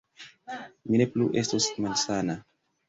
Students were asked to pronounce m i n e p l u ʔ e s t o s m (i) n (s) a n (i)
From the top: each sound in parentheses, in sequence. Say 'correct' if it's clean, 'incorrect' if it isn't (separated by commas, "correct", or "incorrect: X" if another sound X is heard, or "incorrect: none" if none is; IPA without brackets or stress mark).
incorrect: a, correct, incorrect: a